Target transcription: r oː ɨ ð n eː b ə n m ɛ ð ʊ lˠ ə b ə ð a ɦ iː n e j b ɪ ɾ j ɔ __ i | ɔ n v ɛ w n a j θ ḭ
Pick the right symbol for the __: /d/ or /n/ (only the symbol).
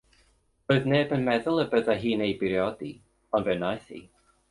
d